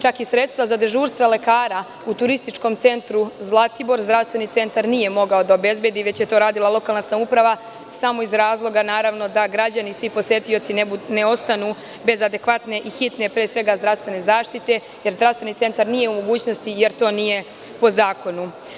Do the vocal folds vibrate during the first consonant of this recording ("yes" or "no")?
no